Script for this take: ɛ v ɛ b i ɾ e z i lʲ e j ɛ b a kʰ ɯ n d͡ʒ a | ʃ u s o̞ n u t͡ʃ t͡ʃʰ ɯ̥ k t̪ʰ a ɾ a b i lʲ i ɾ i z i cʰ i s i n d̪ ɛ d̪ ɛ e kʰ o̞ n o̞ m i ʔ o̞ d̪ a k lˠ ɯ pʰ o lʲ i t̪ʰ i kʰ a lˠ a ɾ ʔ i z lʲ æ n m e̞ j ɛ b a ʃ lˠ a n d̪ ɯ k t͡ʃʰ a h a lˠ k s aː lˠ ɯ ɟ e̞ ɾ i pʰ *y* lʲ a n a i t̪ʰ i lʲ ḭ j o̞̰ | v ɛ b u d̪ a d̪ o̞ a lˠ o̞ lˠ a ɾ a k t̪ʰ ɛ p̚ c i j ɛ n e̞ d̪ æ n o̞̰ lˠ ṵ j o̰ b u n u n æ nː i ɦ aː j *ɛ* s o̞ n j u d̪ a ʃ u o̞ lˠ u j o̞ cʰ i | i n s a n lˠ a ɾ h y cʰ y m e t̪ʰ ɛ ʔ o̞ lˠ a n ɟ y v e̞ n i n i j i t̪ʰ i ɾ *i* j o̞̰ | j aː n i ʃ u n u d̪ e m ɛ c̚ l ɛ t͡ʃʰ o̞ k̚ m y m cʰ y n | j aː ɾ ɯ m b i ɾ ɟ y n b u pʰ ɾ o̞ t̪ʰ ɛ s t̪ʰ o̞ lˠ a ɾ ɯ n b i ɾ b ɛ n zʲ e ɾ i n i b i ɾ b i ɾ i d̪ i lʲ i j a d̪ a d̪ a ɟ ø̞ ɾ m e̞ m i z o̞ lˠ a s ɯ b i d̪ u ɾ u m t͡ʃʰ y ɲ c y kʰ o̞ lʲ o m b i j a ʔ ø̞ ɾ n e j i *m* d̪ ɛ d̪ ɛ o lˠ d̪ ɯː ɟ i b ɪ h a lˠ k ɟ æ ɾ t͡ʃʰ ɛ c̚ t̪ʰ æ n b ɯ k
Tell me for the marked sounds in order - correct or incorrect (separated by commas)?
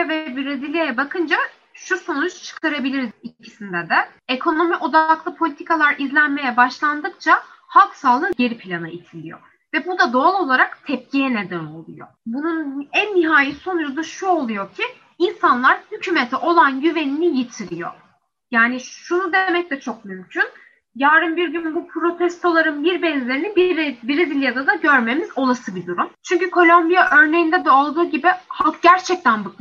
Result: incorrect, incorrect, correct, incorrect